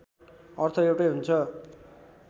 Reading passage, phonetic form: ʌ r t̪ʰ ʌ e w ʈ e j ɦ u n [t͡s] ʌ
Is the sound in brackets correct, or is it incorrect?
incorrect